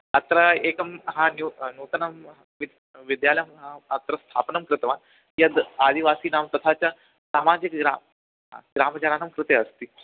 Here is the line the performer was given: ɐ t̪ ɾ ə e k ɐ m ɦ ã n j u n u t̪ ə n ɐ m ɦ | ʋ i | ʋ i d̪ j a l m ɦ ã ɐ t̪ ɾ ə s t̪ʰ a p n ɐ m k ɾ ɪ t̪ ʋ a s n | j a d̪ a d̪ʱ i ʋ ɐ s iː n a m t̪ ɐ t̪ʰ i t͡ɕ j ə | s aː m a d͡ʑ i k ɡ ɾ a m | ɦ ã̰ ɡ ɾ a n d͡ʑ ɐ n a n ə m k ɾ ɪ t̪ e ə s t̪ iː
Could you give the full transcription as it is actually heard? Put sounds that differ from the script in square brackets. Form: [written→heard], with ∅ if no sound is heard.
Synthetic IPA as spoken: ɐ t̪ ɾ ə e k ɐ m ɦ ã n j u n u t̪ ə n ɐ m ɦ | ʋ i | ʋ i d̪ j a l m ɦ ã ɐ t̪ ɾ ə s t̪ʰ a p n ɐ m k ɾ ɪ t̪ ʋ a [s→∅] n | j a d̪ a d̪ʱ i ʋ [ɐ→a] s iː n a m t̪ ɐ t̪ʰ [i→a] t͡ɕ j [ə→a] | s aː m a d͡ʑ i k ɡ ɾ a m | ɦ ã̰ ɡ ɾ a [n→m] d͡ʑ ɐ n a n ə m k ɾ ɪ t̪ e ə s t̪ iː